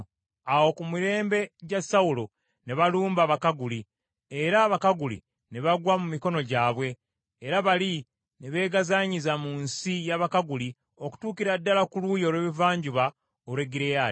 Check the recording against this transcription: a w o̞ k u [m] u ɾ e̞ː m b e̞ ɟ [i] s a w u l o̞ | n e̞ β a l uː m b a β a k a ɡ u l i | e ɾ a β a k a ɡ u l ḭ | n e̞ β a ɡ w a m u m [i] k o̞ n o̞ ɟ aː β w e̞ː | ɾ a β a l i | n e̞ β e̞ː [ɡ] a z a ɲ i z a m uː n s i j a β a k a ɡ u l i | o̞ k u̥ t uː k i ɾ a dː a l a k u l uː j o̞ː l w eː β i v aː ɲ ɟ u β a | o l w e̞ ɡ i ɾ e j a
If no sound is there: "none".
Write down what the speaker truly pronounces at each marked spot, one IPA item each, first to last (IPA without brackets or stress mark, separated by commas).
m, a, i, ɡ